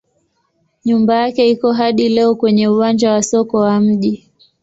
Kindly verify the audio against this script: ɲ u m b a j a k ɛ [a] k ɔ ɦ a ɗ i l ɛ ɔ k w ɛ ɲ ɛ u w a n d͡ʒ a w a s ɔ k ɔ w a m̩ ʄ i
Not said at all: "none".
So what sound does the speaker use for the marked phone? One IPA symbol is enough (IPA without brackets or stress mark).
i